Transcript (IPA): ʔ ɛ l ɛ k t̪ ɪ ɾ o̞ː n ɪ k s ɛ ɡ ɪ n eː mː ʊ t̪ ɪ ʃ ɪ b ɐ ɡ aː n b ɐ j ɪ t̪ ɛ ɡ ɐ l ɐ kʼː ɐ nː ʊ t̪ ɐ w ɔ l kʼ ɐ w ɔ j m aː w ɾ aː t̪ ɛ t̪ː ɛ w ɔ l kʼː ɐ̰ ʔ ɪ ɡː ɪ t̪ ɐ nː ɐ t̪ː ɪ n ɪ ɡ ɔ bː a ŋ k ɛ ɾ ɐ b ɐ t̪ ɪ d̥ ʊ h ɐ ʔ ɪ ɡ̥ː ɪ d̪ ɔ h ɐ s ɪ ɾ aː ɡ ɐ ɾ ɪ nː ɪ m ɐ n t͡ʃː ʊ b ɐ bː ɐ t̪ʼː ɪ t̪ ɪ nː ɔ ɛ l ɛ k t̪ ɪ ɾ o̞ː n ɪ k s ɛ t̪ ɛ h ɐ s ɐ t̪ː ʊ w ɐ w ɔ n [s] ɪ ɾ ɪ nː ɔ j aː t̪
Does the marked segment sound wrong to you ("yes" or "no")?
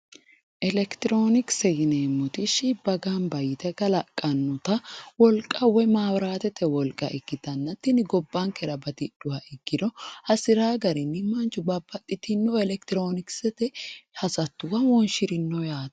yes